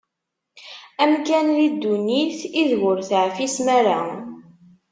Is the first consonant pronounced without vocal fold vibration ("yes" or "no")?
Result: no